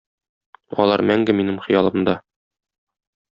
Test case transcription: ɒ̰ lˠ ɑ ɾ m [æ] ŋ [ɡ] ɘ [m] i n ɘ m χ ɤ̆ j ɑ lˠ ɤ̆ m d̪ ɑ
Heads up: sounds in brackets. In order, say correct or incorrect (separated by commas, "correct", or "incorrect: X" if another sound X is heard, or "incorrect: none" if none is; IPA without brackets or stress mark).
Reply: correct, correct, correct